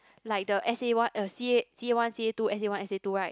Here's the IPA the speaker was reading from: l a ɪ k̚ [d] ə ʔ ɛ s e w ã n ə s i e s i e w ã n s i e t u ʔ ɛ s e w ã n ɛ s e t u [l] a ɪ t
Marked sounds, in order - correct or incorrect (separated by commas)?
correct, incorrect